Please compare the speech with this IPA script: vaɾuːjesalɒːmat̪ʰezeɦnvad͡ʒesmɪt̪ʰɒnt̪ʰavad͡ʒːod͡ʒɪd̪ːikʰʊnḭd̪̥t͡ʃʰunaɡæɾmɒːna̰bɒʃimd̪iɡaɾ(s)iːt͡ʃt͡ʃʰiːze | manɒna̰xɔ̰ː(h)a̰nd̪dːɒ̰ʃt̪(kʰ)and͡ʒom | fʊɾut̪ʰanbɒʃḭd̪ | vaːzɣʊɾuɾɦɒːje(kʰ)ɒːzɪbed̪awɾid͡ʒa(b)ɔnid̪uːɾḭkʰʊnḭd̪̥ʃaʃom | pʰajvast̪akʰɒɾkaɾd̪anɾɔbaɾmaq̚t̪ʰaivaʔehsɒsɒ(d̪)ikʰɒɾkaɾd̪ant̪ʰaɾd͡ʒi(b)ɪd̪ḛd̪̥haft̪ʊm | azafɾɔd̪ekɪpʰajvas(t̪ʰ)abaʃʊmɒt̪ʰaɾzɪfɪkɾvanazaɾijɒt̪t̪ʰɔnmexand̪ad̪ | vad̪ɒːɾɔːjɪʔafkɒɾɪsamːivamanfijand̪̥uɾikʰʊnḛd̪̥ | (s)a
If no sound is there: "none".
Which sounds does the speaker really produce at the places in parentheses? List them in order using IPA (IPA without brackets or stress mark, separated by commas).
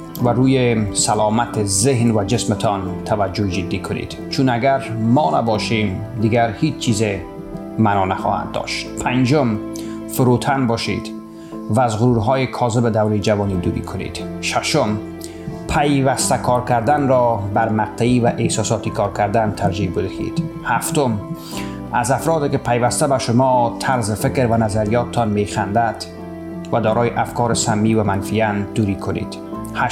h, h, pʰ, kʰ, v, t̪, b, t̪, h